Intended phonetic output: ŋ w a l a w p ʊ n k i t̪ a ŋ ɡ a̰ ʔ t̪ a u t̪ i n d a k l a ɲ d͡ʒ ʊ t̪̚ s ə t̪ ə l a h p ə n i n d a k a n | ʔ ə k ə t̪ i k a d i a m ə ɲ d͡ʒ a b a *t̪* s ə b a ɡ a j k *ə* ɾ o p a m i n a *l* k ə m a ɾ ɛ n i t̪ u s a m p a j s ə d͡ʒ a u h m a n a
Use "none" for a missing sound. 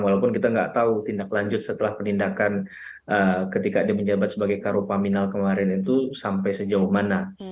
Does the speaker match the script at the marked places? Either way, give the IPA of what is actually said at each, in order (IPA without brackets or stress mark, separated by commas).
t̪, a, l